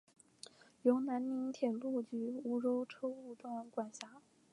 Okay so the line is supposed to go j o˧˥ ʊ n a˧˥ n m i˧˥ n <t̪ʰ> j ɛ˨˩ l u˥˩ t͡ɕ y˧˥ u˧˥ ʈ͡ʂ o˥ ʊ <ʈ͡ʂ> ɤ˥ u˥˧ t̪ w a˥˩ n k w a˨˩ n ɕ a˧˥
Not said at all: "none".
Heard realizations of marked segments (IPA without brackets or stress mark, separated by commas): t̪ʰ, ʈ͡ʂʰ